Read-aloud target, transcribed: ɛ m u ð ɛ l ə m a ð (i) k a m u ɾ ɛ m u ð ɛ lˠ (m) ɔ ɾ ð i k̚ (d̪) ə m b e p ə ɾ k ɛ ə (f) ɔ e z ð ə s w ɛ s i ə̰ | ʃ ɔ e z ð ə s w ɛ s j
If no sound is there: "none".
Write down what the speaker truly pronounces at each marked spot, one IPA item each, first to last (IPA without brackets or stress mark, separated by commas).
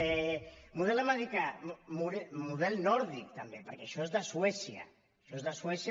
i, n, t̪, ʃ